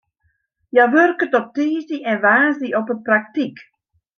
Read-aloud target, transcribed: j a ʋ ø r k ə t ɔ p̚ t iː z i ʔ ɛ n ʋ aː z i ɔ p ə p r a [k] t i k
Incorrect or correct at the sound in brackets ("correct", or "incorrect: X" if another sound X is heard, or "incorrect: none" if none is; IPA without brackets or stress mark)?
correct